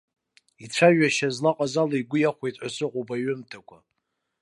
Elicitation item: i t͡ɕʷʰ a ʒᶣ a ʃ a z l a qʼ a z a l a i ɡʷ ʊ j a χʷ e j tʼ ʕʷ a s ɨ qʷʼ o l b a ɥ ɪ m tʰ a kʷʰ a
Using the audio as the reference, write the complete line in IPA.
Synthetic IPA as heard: i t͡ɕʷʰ a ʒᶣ a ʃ a z l a qʼ a z a l a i ɡʷ ʊ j a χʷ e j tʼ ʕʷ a s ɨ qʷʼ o b a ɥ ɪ m tʰ a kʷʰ a